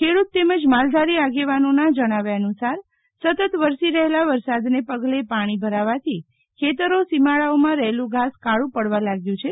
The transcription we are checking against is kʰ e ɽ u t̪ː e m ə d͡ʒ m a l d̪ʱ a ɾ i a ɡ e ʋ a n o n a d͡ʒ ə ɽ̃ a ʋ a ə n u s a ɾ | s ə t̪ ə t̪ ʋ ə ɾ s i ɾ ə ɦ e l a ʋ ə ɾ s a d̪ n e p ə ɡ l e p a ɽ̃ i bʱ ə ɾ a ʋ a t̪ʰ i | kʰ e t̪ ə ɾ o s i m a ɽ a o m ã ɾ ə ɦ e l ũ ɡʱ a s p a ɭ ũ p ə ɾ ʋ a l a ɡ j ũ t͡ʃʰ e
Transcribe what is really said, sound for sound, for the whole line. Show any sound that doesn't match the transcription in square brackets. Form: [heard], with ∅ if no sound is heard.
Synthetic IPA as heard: kʰ e ɽ u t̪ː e m ə d͡ʒ m a l d̪ʱ a ɾ i a ɡ e ʋ a n o n a d͡ʒ ə ɽ̃ a ʋ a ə n u s a ɾ | s ə t̪ ə t̪ ʋ ə ɾ s i ɾ ə ɦ e l a ʋ ə ɾ s a d̪ n e p ə ɡ l e p a ɽ̃ i bʱ ə ɾ a ʋ a t̪ʰ i | kʰ e t̪ ə ɾ o s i m a [ɭ] a o m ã ɾ ə ɦ e l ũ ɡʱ a s [k] a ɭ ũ p ə [ɽ] ʋ a l a ɡ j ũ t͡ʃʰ e